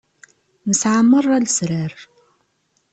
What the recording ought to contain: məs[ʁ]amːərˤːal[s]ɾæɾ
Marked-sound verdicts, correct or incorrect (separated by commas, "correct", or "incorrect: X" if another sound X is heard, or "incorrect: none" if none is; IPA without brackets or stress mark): incorrect: ʕ, correct